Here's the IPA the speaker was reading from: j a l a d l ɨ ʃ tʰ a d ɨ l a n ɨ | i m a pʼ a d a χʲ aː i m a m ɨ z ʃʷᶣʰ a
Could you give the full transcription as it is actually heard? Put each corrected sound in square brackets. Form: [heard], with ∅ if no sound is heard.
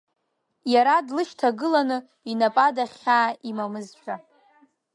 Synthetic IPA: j a [ɾ] a d l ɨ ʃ tʰ a [ɡ] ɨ l a n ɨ | i [n] a pʼ a d a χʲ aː i m a m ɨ z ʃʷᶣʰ a